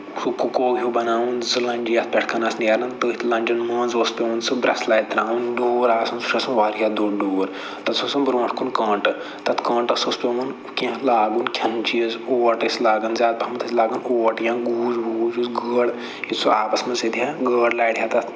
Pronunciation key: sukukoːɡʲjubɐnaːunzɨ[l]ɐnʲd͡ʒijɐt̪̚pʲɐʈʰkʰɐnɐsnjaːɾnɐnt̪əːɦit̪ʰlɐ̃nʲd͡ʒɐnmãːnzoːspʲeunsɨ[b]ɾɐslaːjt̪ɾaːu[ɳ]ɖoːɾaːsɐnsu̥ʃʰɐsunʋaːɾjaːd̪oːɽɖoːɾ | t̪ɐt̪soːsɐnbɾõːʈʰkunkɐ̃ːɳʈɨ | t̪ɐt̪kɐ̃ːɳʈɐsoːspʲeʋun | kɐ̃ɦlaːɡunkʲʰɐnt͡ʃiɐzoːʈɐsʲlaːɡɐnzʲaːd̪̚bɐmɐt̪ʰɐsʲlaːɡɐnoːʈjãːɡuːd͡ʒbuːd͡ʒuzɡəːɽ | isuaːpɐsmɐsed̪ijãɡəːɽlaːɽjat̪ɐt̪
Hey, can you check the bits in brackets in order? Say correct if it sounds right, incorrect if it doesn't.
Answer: correct, correct, incorrect: n

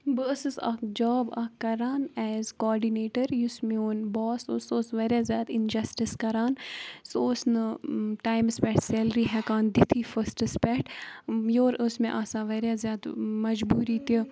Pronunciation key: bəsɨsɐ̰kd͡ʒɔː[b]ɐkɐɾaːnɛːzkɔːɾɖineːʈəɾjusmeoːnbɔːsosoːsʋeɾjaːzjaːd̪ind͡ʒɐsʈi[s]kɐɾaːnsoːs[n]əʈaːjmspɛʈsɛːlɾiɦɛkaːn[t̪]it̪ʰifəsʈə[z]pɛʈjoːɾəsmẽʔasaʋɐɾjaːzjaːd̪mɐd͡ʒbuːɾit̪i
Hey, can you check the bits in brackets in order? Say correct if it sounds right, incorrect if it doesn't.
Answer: correct, correct, correct, incorrect: d̪, incorrect: s

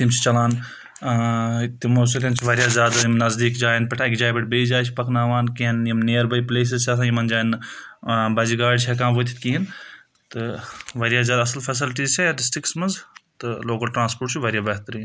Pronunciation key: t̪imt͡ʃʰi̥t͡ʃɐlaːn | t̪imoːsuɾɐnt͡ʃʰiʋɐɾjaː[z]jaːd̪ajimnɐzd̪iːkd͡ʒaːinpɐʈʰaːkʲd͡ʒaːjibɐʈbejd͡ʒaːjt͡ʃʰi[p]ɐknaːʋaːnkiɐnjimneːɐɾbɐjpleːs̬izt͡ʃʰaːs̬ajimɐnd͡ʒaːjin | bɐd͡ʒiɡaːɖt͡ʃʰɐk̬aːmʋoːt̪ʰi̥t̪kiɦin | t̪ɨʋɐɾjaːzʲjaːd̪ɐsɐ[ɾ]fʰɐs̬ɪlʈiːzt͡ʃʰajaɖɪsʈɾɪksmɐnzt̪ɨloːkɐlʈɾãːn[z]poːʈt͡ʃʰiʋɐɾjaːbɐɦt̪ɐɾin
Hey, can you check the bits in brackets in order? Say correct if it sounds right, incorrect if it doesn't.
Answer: correct, correct, incorrect: l, incorrect: s

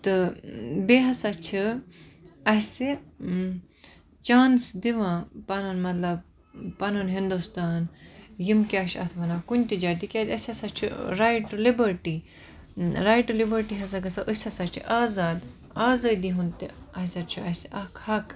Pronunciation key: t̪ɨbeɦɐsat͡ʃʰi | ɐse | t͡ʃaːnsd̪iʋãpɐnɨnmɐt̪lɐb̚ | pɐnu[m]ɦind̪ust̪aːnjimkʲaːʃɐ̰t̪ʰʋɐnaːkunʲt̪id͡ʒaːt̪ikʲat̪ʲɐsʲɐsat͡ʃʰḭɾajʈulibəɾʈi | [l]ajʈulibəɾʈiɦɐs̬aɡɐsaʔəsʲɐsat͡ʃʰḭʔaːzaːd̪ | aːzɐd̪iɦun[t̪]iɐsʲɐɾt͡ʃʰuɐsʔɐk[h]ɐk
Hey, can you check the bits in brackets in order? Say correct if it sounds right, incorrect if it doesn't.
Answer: incorrect: n, incorrect: ɾ, correct, correct

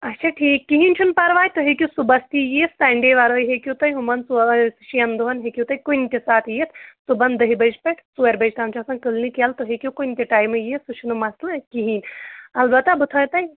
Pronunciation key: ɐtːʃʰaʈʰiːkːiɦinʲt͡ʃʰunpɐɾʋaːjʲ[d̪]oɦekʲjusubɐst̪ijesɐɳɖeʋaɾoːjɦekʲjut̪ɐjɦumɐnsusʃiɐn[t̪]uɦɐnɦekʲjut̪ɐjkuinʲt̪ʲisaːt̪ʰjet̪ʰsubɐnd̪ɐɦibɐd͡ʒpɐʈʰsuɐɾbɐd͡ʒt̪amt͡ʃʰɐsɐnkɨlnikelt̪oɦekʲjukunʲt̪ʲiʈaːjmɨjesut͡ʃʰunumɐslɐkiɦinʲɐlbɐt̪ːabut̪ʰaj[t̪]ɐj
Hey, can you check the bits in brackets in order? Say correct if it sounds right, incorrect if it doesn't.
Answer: incorrect: t̪, incorrect: d̪, correct

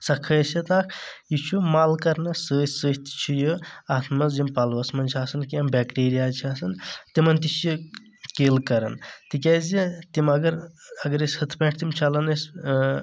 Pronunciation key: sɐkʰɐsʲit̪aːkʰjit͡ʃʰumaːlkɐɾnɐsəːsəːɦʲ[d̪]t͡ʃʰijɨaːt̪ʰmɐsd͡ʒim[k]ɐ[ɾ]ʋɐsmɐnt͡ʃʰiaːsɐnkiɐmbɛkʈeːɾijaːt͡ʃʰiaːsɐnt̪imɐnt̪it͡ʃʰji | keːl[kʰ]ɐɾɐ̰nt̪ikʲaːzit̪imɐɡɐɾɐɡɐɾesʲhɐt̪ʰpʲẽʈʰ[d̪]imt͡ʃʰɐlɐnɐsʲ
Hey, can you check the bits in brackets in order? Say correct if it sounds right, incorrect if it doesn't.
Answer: incorrect: t̪, incorrect: p, incorrect: l, incorrect: k, incorrect: t̪

